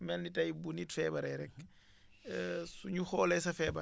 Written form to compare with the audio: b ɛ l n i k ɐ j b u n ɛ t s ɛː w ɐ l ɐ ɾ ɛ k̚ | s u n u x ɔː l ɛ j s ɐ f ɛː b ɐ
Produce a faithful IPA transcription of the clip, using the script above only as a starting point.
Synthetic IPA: m ɛ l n i t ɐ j b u n i t f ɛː b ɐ ɾ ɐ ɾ ɛ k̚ | s u ɲ u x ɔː l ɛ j s ɐ f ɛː b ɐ

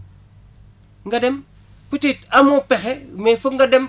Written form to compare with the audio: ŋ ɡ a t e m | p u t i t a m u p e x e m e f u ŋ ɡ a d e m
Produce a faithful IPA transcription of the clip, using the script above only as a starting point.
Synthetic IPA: ŋ ɡ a d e m | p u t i t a m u p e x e m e f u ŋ ɡ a d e m

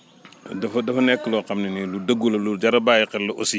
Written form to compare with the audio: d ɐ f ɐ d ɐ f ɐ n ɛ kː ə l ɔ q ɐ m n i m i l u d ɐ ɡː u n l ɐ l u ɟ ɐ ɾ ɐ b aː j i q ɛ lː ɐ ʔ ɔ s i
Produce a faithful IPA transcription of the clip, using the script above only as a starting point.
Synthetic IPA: d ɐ f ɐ d ɐ f ɐ n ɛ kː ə l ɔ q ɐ m n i n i l u d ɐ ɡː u l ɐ l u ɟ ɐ ɾ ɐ b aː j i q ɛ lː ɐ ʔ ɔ s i

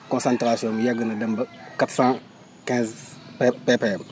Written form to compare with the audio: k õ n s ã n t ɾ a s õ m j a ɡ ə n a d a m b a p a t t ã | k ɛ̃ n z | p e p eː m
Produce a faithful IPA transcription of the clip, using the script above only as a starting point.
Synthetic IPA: k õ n s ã n t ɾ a s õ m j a ɡ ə n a d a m b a k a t s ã | k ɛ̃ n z | p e p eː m

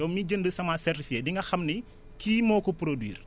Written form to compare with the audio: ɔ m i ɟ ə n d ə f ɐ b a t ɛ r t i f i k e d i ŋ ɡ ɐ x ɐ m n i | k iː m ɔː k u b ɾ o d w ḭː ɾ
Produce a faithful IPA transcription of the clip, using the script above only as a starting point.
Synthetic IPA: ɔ m i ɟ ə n d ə s ɐ m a s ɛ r t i f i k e d i ŋ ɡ ɐ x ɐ m n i | k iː m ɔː k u p ɾ o d w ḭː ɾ

